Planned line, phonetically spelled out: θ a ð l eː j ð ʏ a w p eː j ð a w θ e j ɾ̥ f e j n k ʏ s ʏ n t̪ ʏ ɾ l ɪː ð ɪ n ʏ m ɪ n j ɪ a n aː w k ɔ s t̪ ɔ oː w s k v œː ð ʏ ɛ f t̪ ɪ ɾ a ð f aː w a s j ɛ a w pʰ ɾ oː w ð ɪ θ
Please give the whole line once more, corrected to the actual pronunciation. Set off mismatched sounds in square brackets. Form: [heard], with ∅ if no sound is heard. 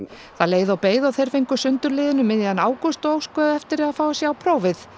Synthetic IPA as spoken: θ a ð l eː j ð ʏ a w p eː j ð a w θ e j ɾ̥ f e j [ŋ] k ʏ s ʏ n t̪ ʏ ɾ l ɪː ð ɪ n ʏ m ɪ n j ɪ a n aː w k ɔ s t̪ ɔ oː w s k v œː ð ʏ ɛ f t̪ ɪ ɾ a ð f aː w a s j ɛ a w pʰ ɾ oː w [v] ɪ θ